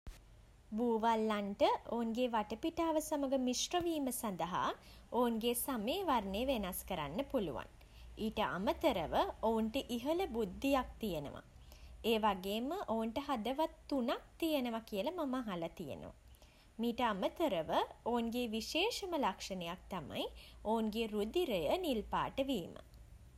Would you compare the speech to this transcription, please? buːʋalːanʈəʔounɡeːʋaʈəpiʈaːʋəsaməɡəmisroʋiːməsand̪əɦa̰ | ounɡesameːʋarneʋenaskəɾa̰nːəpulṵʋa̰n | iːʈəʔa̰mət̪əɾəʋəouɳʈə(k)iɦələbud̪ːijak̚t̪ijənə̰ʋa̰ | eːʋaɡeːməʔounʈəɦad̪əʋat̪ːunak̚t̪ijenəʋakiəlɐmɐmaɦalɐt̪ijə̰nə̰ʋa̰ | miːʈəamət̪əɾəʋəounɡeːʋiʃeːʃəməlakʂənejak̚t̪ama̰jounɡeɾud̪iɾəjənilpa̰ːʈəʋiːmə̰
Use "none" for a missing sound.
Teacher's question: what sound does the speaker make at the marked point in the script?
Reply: ʔ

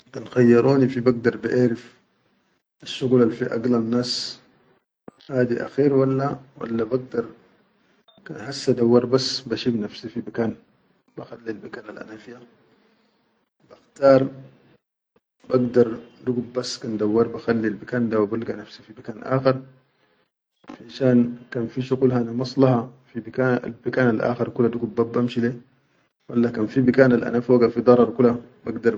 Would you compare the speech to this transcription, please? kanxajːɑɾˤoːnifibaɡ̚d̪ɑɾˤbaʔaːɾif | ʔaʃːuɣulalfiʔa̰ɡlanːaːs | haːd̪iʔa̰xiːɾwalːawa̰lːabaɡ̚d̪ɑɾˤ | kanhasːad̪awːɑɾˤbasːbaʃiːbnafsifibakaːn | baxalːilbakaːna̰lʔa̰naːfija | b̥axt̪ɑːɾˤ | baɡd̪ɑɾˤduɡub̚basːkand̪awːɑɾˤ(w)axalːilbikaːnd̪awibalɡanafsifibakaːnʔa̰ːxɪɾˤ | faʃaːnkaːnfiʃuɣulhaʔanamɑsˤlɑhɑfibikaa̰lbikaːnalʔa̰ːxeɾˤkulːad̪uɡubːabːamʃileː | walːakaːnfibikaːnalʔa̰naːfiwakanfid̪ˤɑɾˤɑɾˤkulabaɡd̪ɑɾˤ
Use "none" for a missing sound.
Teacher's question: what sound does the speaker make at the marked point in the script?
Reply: b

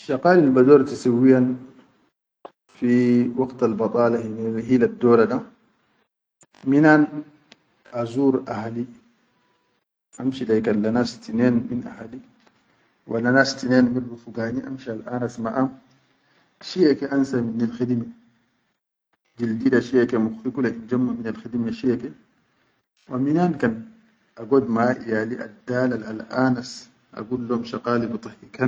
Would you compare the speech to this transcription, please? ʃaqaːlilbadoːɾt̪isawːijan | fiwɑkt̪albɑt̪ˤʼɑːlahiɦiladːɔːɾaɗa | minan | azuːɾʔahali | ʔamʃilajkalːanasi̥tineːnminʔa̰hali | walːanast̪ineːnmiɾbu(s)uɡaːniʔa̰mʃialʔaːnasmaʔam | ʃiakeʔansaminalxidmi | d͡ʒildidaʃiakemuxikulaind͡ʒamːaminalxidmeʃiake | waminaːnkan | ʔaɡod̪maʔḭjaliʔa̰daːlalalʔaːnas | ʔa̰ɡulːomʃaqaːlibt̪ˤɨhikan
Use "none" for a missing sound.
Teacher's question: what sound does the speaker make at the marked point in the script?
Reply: f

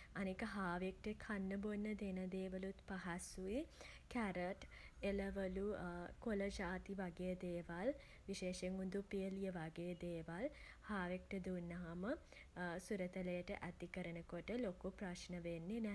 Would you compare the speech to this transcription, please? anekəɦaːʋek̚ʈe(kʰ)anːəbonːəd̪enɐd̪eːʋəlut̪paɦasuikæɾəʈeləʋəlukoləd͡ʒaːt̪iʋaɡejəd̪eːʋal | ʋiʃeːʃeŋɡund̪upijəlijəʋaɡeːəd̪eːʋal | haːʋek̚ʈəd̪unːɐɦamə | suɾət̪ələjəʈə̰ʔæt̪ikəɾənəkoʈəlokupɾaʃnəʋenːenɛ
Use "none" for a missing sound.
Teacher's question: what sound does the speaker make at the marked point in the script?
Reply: kʰ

